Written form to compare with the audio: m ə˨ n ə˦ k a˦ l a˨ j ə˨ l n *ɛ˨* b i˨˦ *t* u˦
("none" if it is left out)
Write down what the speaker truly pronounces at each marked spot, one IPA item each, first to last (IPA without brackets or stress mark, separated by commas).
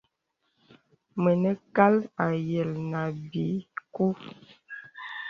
a˨, k